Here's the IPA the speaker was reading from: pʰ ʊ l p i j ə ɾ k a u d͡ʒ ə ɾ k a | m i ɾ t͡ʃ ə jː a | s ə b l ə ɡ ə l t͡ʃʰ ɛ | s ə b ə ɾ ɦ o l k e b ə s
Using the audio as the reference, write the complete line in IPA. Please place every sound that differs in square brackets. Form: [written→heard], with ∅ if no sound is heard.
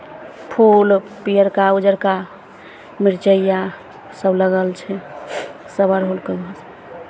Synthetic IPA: pʰ [ʊ→u] l p i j ə ɾ k a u d͡ʒ ə ɾ k a | m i ɾ t͡ʃ ə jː a | s ə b l ə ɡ ə l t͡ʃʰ ɛ | s ə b ə ɾ ɦ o l k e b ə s

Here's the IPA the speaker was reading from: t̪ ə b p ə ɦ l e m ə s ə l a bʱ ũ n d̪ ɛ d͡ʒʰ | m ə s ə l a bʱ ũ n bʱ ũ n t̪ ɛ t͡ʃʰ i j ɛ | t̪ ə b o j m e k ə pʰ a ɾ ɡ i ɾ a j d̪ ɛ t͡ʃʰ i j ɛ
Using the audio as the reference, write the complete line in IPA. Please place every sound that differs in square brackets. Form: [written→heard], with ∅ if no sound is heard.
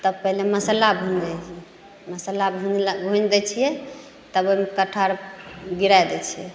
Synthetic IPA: t̪ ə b p ə ɦ l e m ə s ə l a bʱ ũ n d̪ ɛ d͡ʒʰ | m ə s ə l a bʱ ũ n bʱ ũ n [t̪→d̪] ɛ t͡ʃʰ i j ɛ | t̪ ə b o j m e k ə [pʰ→ʈʰ] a ɾ ɡ i ɾ a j d̪ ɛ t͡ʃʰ i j ɛ

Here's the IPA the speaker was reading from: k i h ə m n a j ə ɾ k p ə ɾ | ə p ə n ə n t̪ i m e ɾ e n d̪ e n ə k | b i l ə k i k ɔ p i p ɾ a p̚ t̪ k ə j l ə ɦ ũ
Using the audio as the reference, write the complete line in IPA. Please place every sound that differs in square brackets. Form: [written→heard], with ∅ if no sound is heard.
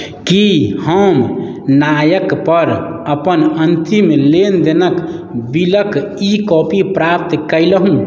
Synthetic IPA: k i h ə m n a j ə [ɾ→∅] k p ə ɾ | ə p ə n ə n t̪ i m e [ɾ→l] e n d̪ e n ə k | b i l ə k i k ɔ p i p ɾ a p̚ t̪ k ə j l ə ɦ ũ

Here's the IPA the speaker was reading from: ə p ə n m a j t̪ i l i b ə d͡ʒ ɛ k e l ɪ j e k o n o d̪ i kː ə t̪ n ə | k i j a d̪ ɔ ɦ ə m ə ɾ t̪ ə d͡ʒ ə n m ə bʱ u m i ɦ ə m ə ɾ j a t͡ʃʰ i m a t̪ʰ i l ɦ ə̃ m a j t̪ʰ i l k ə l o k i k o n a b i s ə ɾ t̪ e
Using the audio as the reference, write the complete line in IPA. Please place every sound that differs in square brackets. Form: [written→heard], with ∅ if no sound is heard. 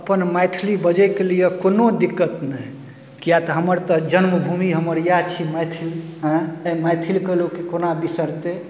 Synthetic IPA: ə p ə n m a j [t̪→t̪ʰ] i l i b ə d͡ʒ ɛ k e l [ɪ→i] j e k o n o d̪ i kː ə t̪ n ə | k i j a [d̪→t̪] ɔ ɦ ə m ə ɾ t̪ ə d͡ʒ ə n m ə bʱ u m i ɦ ə m ə ɾ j a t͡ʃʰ i m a t̪ʰ i l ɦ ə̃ m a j t̪ʰ i l k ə l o k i k o n a b i s ə ɾ t̪ e

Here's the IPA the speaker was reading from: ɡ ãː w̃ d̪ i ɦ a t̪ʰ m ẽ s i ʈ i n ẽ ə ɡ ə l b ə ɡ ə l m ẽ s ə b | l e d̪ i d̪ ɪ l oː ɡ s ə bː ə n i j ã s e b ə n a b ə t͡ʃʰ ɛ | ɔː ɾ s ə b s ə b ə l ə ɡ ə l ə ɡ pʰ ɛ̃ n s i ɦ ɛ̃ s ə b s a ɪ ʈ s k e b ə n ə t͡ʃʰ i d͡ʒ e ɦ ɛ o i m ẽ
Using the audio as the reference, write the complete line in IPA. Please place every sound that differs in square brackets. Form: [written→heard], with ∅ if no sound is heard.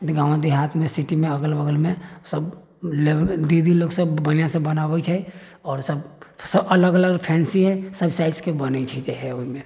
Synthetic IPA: ɡ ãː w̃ d̪ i ɦ a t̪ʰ m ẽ s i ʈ i [n→m] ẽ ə ɡ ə l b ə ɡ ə l m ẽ s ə b | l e d̪ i d̪ [ɪ→i] l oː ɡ s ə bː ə n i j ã s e b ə n a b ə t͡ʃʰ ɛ | ɔː ɾ s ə b s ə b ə l ə ɡ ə l ə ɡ pʰ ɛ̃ n s i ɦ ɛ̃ s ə b s a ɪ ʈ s k e b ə n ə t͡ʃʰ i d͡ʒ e ɦ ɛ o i m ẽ

